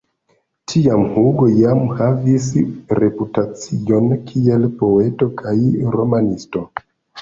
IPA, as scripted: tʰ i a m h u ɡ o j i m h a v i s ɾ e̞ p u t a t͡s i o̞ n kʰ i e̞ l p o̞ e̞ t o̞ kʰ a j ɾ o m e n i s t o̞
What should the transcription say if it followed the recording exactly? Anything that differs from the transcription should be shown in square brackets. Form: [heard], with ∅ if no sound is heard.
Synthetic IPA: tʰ i a m h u ɡ o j [a] m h a v i s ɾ e̞ p u t a t͡s i o̞ n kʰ i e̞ l p o̞ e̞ t o̞ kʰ a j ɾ o m [a] n i s t o̞